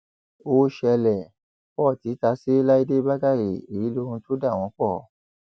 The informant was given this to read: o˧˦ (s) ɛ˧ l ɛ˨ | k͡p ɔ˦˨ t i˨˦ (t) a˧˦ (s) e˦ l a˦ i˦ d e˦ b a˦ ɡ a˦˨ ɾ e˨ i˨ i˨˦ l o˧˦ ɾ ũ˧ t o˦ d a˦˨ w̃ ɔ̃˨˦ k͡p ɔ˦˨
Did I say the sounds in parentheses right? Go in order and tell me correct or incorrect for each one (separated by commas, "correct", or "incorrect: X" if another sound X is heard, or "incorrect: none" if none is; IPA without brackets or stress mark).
incorrect: ʃ, correct, correct